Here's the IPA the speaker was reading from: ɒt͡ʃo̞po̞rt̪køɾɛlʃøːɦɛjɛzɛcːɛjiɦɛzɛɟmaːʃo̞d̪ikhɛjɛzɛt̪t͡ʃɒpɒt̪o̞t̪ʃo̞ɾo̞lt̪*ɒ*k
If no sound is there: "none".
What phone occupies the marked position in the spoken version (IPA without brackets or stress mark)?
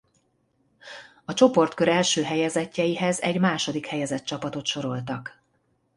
ɒ